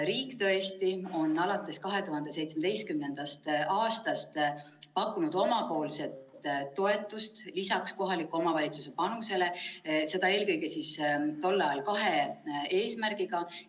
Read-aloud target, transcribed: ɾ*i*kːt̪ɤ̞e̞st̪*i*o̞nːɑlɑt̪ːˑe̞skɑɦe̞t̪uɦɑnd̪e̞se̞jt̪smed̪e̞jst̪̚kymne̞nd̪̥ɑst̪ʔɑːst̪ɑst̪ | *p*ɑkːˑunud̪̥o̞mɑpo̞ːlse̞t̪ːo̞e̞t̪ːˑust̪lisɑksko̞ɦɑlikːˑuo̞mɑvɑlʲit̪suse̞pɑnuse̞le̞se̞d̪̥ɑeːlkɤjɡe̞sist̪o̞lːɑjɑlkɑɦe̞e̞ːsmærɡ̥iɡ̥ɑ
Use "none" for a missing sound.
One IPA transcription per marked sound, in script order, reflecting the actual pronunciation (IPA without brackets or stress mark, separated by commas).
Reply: iː, i, p